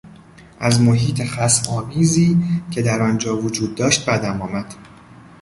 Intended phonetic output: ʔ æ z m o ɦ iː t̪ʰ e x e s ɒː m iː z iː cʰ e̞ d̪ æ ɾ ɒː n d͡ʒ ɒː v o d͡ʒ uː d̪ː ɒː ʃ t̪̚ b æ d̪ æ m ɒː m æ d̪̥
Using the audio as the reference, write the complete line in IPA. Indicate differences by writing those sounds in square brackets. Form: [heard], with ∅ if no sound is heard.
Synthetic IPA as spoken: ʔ æ z m o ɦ iː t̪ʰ e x [æ] s ɒː m iː z iː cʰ e̞ d̪ æ ɾ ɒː n d͡ʒ ɒː v o d͡ʒ uː d̪ː ɒː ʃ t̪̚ b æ d̪ æ m ɒː m æ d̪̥